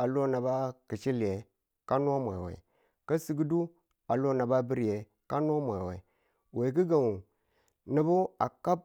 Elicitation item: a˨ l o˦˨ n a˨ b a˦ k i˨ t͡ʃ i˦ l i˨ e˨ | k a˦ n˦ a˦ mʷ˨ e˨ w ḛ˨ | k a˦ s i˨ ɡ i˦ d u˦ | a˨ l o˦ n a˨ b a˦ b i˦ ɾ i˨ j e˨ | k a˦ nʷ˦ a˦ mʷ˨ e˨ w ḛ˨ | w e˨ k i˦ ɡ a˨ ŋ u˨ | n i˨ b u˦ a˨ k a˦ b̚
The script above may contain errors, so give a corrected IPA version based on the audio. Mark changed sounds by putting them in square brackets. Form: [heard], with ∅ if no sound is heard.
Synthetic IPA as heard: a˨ l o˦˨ n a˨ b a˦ k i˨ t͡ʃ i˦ l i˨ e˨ | k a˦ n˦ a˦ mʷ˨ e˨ w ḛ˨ | k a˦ s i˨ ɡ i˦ d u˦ | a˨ l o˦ n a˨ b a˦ b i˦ ɾ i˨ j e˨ | k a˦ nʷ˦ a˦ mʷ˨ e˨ w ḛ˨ | w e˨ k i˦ ɡ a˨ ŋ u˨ | n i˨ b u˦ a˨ k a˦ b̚

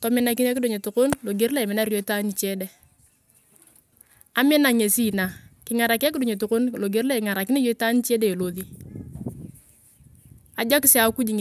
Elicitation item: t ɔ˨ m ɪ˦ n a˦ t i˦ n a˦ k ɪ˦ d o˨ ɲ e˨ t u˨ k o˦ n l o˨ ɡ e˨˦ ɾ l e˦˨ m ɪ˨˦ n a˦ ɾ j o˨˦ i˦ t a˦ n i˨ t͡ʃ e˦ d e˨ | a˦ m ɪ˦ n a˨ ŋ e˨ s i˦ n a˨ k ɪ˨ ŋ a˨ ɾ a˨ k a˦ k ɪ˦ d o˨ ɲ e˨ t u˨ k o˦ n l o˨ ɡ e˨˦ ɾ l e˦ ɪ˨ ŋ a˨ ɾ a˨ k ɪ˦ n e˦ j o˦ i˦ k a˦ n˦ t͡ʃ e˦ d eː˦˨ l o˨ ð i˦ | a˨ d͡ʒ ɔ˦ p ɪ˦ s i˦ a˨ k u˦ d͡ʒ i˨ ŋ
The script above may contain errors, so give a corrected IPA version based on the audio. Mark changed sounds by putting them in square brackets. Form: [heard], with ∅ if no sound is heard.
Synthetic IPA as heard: t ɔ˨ m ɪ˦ n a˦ [k] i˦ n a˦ k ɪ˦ d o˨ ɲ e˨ t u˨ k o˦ n l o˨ ɡ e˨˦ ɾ l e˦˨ m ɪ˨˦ n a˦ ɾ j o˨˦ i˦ t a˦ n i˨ t͡ʃ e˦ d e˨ | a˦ m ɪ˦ n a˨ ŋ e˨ s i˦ n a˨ k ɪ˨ ŋ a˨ ɾ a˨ k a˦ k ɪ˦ d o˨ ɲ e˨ t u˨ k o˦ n l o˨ ɡ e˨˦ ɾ l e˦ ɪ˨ ŋ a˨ ɾ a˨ k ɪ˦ n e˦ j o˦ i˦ [t] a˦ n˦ t͡ʃ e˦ d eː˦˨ l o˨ ð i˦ | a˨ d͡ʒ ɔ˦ [k] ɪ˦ s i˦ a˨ k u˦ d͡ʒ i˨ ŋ

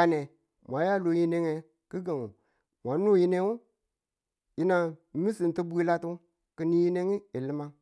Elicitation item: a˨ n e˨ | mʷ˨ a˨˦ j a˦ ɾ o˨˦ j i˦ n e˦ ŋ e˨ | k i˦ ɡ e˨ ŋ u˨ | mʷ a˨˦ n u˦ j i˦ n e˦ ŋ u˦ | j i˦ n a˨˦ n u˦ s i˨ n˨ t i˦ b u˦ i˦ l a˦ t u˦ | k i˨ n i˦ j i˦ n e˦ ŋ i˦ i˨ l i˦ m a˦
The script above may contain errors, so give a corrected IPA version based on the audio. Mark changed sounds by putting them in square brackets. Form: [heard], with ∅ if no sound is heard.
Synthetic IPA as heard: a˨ n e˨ | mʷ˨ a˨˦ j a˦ [l] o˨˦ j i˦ n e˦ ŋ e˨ | k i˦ ɡ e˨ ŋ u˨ | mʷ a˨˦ n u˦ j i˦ n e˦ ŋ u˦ | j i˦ n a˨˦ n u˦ s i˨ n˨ t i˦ b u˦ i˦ l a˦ t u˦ | k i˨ n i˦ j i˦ n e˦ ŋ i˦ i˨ l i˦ m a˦

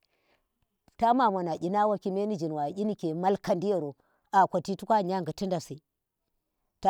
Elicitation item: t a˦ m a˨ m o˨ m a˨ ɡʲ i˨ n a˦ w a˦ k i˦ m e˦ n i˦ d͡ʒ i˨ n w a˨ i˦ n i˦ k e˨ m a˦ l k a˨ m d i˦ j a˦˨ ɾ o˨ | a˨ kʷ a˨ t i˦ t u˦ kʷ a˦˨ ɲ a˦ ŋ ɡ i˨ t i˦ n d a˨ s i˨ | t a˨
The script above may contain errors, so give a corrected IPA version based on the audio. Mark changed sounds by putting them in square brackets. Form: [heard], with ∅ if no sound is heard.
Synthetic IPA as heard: t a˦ m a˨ m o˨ [n] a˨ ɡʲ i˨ n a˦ w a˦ k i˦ m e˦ n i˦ d͡ʒ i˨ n w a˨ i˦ n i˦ k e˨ m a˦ l k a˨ [n] d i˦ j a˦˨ ɾ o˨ | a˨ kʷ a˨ t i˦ t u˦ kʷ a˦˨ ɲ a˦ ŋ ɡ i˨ t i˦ n d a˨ s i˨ | t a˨

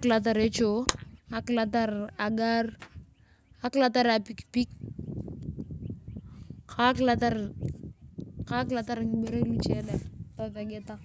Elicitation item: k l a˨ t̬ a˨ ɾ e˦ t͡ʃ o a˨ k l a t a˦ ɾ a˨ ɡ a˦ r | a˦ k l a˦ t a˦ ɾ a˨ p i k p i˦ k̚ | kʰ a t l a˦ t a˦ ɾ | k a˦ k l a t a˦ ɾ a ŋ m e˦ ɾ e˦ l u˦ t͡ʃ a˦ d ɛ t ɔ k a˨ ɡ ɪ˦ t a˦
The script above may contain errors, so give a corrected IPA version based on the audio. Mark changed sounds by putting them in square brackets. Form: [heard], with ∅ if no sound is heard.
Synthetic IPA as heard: k l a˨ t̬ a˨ ɾ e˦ t͡ʃ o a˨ k l a t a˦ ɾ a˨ ɡ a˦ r | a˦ k l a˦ t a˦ ɾ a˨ p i k p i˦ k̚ | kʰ a [k] l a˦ t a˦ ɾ | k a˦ k l a t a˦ ɾ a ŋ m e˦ ɾ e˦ l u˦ t͡ʃ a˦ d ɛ t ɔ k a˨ ɡ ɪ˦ t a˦

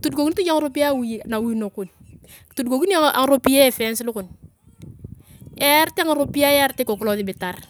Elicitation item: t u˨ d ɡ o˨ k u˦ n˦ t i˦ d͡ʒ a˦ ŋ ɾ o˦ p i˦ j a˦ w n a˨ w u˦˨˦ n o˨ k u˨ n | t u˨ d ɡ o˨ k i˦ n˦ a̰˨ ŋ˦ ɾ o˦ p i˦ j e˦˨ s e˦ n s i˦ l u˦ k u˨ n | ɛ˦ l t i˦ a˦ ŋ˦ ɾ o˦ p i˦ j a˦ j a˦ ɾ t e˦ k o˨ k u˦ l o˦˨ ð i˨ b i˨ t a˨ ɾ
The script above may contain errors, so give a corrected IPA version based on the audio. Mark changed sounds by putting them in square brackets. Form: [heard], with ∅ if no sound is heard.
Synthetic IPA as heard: t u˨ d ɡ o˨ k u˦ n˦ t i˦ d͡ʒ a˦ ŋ ɾ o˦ p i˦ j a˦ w n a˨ w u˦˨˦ n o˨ k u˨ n | t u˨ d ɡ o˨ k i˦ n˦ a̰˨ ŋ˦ ɾ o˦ p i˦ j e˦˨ [f] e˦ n s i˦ l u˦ k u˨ n | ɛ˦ [ɾ] t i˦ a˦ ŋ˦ ɾ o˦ p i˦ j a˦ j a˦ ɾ t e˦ k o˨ k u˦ l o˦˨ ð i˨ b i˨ t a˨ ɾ

